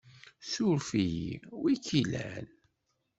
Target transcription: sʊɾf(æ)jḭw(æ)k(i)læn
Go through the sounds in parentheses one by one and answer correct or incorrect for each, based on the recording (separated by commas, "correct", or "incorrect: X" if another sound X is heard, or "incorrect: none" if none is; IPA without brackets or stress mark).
incorrect: i, incorrect: i, correct